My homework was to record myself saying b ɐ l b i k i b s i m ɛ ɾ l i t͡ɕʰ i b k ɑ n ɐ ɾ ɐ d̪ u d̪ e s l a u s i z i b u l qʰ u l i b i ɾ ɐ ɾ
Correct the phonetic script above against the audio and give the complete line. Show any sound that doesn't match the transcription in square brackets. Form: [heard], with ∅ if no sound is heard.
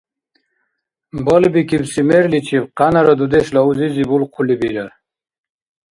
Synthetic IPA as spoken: b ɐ l b i k i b s i m [e] ɾ l i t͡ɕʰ i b [q] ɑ n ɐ ɾ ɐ d̪ u d̪ e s l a u [z] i z i b u l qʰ u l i b i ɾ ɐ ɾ